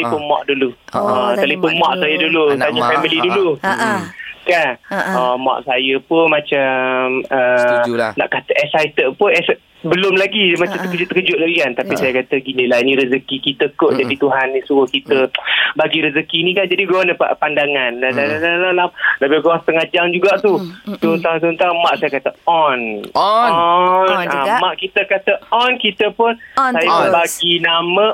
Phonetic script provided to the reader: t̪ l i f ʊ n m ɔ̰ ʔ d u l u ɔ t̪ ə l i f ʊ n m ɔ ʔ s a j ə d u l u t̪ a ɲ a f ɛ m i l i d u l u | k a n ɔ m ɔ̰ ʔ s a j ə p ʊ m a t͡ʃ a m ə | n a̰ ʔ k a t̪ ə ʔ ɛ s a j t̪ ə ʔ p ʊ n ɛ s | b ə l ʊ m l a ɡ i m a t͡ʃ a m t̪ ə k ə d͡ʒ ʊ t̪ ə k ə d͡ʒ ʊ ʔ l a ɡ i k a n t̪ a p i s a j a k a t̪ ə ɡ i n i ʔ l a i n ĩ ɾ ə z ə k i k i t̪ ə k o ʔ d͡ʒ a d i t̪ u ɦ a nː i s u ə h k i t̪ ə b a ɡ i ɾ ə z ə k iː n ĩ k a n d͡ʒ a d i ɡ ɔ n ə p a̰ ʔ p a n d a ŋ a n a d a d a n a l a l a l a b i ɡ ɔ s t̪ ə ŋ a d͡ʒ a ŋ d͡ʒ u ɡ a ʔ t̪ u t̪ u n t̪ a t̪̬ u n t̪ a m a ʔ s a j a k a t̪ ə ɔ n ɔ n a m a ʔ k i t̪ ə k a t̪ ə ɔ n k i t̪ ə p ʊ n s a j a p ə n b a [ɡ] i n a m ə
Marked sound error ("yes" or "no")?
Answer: no